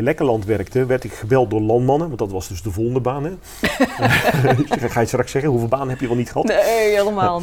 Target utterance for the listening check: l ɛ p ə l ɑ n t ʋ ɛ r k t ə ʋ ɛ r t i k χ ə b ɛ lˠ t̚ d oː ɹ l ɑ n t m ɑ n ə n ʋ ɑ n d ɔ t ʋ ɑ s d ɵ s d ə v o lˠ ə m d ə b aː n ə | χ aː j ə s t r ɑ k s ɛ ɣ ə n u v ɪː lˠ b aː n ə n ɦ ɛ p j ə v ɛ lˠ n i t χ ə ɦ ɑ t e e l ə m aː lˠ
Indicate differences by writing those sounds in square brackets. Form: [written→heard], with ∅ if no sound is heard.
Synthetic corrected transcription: l ɛ [p→k] ə l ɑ n t ʋ ɛ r k t ə ʋ ɛ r t [i→ɪ] k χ ə b ɛ lˠ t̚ d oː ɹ l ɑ n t m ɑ n ə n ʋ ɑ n d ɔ t ʋ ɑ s d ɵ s d ə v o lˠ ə [m→n] d ə b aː n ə | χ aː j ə s t r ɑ k s ɛ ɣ ə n u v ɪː lˠ b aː n ə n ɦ ɛ p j ə [v→ʋ] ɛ lˠ n i t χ ə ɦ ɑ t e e l ə m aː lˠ